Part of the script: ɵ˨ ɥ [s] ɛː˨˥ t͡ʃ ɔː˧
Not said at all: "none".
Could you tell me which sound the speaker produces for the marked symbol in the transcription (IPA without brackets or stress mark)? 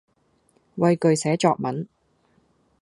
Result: s